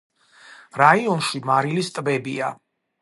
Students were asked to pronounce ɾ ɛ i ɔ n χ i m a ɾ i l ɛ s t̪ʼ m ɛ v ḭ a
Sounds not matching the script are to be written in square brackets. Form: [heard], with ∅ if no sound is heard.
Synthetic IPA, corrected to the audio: ɾ [a] i ɔ n [ʃ] i m a ɾ i l [i] s t̪ʼ [b] ɛ [b] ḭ a